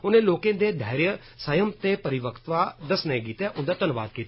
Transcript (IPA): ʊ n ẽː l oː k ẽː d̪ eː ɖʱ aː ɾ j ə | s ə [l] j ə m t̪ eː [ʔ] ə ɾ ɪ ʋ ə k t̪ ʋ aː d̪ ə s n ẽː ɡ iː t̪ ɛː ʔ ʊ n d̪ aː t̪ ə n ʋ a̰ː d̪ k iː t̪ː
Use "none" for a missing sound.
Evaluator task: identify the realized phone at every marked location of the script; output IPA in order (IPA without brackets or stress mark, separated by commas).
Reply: none, p